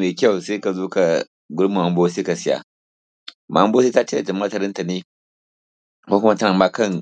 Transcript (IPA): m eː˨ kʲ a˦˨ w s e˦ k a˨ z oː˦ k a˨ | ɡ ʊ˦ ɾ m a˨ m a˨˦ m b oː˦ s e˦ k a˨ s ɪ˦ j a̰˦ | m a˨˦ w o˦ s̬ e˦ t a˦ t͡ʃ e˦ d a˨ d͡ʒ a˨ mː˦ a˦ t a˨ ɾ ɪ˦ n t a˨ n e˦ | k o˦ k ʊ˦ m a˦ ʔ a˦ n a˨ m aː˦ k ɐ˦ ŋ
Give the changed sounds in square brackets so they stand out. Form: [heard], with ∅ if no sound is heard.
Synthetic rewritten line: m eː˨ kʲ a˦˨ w s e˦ k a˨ z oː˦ k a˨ | ɡ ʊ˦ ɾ m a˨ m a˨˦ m b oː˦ s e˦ k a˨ s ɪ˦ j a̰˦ | m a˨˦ [b] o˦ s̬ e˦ t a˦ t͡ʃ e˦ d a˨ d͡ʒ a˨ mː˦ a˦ t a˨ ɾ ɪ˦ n t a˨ n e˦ | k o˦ k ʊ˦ m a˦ [t] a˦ n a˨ m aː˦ k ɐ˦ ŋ

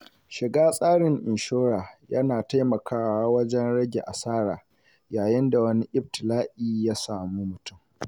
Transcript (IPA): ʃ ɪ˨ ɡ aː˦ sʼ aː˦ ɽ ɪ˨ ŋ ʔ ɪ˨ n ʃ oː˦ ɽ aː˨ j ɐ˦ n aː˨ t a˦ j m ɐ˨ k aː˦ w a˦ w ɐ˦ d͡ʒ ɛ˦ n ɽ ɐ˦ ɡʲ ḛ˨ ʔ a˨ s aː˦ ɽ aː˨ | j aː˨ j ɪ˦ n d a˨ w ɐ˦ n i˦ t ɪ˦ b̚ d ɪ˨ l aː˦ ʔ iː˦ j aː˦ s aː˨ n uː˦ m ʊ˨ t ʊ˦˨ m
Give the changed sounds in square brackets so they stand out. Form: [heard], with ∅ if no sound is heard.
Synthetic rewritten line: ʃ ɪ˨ ɡ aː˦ sʼ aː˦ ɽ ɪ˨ ŋ ʔ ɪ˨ n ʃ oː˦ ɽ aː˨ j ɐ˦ n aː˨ t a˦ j m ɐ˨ k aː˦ w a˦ w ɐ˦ d͡ʒ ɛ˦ n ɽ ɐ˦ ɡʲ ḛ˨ ʔ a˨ s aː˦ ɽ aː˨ | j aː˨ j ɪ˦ n d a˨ w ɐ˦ n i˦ [ʔ] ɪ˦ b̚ [t] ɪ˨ l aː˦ ʔ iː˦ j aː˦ s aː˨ [m] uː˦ m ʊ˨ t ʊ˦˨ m

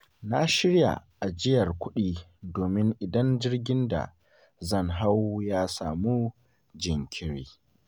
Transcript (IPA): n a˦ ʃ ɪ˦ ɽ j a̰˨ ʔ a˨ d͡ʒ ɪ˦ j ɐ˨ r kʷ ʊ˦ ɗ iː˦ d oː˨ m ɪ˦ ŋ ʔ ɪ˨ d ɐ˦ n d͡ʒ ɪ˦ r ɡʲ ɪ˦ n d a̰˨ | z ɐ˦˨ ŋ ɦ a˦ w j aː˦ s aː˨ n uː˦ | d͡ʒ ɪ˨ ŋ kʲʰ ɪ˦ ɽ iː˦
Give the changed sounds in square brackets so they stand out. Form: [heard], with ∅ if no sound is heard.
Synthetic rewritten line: n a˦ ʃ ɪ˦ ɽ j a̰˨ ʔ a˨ d͡ʒ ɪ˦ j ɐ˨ r kʷ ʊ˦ ɗ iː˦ d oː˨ m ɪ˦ ŋ ʔ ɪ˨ d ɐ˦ n d͡ʒ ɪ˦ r ɡʲ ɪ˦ n d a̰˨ | z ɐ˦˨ ŋ ɦ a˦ w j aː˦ s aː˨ [m] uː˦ | d͡ʒ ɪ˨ ŋ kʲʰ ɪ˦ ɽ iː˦

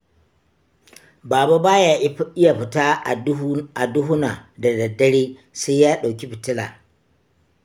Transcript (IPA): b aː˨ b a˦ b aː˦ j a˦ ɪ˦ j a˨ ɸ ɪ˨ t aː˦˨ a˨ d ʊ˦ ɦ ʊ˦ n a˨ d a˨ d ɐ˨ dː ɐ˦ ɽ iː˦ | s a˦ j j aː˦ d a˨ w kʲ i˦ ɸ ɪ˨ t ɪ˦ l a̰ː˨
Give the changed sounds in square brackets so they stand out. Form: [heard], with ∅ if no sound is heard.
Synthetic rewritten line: b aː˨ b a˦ b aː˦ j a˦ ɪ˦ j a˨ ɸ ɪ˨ t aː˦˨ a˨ d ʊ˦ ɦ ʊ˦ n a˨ d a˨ d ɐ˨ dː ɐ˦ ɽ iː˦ | s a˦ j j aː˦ [ɗ] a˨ w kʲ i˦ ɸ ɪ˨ t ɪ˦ l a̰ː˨

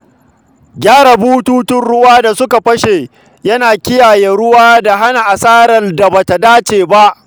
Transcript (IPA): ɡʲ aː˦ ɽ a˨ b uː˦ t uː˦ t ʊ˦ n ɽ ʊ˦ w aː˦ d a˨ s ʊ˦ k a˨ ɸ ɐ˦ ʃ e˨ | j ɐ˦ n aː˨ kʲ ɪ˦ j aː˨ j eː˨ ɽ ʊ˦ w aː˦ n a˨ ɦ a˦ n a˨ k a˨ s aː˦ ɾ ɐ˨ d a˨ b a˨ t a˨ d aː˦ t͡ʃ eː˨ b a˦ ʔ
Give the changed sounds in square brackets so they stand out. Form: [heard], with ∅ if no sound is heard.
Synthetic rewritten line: ɡʲ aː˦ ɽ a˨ b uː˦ t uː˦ t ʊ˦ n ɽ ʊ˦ w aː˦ d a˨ s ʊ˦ k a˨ ɸ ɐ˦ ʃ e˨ | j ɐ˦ n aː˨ kʲ ɪ˦ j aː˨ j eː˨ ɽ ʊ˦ w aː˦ [d] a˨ ɦ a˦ n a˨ [ʔ] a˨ s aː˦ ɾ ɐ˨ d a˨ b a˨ t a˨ d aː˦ t͡ʃ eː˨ b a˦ ʔ

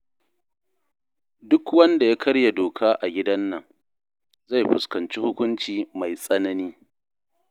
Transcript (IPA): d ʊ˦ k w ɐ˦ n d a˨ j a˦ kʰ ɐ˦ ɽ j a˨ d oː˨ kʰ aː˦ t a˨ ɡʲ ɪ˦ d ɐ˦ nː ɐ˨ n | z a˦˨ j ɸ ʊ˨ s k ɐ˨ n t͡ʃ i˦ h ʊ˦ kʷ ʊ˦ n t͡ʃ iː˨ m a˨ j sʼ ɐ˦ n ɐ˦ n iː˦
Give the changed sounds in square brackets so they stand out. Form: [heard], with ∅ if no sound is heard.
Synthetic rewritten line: d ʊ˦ k w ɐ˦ n d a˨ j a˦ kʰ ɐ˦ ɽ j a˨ d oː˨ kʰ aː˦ [ʔ] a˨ ɡʲ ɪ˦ d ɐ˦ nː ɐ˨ [ŋ] | z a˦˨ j ɸ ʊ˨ s k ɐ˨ n t͡ʃ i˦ h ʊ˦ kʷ ʊ˦ n t͡ʃ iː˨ m a˨ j sʼ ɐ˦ n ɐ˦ n iː˦

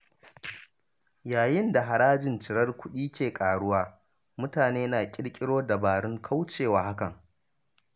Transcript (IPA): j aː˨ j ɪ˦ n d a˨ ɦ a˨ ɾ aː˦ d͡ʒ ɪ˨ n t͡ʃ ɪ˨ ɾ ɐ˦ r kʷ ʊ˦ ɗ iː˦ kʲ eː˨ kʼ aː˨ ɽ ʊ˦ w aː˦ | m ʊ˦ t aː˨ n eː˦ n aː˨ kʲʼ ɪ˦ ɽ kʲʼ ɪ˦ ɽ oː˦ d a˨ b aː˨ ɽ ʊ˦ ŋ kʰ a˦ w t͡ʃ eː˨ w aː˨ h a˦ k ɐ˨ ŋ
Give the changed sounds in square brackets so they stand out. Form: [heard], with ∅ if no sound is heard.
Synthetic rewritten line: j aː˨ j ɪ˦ n d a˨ ɦ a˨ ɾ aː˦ d͡ʒ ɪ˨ n t͡ʃ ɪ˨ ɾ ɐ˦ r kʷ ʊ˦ ɗ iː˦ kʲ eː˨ kʼ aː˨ ɽ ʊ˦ w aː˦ | m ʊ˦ t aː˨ n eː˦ n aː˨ kʲʼ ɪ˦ ɽ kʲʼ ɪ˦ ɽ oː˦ d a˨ b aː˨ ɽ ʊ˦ ŋ kʰ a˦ w t͡ʃ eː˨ w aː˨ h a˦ k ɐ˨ ŋ

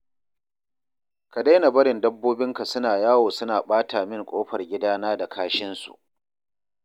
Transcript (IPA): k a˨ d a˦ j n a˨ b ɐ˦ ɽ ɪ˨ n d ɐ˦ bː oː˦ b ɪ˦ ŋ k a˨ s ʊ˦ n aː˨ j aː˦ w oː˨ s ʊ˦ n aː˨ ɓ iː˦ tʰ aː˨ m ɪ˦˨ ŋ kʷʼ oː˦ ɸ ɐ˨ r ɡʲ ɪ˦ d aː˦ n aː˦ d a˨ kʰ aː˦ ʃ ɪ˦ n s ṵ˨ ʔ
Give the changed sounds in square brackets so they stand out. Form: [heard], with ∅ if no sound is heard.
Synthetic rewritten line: k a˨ d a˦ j n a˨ b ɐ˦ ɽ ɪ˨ n d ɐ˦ bː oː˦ b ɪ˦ ŋ k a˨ s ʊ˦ n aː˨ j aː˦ w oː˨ s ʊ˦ n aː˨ ɓ [aː˦] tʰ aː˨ m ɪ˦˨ ŋ kʷʼ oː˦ ɸ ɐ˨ r ɡʲ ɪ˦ d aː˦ n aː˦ d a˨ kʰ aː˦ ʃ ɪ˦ n s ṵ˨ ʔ

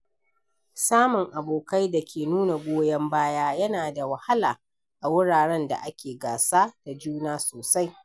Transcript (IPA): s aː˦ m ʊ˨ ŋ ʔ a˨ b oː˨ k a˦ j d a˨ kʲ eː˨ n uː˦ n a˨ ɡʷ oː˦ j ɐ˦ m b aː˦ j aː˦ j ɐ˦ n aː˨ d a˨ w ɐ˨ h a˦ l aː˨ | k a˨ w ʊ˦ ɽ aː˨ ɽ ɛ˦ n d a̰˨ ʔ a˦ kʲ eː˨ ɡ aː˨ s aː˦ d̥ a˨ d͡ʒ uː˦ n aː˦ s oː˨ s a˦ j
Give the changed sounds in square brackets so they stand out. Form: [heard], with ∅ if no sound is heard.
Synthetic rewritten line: s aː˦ m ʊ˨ ŋ ʔ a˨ b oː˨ k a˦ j d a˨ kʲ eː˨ n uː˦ n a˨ ɡʷ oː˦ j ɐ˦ m b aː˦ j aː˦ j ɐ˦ n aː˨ d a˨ w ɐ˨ h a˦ l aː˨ | [ʔ] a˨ w ʊ˦ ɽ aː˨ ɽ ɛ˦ n d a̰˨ ʔ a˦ kʲ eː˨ ɡ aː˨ s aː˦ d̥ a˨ d͡ʒ uː˦ n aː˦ s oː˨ s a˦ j

